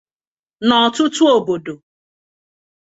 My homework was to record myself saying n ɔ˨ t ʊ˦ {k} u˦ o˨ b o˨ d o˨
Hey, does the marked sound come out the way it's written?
no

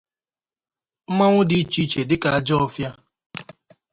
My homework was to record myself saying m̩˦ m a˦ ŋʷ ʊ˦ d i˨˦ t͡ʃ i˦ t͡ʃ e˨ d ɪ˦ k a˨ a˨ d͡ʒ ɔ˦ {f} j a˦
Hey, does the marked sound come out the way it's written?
yes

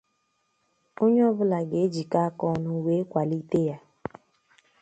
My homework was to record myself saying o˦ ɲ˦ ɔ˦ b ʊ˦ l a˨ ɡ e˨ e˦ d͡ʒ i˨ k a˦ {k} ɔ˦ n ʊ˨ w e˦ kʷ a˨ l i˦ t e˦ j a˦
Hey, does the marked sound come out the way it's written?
yes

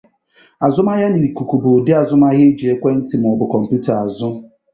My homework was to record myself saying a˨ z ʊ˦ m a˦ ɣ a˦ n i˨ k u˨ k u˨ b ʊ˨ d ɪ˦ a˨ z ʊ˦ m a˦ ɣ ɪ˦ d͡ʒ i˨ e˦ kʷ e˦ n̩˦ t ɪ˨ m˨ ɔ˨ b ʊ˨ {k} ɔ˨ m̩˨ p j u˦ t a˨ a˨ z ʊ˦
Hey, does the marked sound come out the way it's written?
yes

